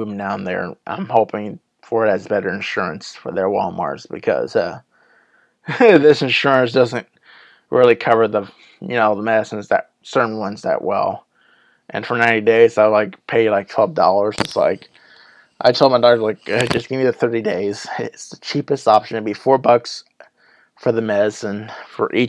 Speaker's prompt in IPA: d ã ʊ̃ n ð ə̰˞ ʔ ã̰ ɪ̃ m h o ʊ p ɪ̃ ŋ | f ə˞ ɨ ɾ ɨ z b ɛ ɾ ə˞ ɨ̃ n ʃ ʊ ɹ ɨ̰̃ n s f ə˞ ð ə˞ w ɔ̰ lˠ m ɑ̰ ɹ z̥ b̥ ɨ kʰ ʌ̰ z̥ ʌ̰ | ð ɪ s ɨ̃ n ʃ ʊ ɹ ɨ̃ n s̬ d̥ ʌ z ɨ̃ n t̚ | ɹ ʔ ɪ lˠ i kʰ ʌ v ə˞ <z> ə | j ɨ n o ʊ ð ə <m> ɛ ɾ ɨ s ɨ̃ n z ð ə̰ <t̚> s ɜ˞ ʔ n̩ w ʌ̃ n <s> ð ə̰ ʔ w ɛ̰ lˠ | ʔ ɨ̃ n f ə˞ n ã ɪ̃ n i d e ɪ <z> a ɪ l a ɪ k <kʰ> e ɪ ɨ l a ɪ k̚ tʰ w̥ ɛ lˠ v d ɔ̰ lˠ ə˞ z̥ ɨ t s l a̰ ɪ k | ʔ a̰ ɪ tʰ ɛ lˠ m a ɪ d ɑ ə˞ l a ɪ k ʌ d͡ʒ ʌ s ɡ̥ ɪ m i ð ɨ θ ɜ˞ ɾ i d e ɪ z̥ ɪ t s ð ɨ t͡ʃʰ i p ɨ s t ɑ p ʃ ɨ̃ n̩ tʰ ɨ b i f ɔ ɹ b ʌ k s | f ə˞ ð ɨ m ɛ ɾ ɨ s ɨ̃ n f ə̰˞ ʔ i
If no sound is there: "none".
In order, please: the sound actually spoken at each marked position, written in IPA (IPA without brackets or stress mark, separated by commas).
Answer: ð, m, t̚, z, z, pʰ